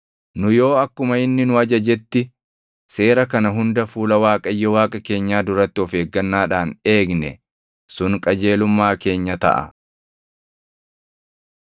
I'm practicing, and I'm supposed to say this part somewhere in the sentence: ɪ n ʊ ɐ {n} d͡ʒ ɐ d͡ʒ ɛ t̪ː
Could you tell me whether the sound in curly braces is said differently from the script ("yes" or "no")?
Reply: yes